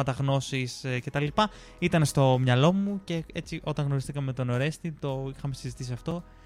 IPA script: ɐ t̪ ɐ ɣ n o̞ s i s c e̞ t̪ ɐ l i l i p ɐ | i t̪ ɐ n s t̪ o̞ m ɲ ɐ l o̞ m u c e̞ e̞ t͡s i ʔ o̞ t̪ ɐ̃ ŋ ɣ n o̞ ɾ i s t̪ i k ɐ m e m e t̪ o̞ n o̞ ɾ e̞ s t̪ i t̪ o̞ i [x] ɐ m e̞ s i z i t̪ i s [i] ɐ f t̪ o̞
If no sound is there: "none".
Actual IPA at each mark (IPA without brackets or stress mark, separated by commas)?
x, i